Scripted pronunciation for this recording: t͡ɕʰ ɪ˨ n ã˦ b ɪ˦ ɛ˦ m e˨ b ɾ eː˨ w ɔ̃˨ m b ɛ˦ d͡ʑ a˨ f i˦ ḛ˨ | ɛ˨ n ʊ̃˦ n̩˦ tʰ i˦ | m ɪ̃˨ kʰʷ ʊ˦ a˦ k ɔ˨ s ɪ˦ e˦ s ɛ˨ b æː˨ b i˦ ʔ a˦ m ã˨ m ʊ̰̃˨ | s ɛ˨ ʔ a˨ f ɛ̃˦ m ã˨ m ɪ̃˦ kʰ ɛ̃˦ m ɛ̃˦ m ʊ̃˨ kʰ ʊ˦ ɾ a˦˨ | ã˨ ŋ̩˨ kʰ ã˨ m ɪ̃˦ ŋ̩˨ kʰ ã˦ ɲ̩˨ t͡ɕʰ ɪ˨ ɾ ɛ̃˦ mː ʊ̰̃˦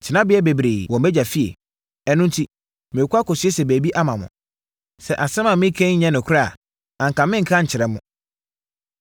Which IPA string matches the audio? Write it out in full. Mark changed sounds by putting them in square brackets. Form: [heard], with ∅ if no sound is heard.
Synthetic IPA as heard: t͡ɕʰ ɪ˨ n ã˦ b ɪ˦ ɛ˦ [b] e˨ b ɾ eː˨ w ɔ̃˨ m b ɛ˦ d͡ʑ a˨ f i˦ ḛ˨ | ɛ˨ n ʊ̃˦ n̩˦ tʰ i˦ | m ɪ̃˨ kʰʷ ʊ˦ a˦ k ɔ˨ s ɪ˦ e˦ s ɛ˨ b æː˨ b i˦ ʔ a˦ m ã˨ m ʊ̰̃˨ | s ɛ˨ ʔ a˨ [s] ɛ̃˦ m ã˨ m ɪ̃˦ kʰ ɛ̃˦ [ɲ] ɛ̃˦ [n] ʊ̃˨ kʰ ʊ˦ ɾ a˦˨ | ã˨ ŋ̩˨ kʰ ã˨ m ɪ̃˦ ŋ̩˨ kʰ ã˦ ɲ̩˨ t͡ɕʰ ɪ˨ ɾ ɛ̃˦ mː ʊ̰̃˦